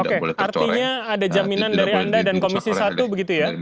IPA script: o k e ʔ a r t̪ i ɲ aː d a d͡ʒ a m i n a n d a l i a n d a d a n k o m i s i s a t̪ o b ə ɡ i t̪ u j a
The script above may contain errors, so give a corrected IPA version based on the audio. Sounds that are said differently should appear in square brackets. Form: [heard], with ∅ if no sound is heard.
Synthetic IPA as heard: o k e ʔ a r t̪ i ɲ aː d a d͡ʒ a m i n a n d a [ɾ] i a n d a d a n k o m i s i s a t̪ [u] b ə ɡ i t̪ u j a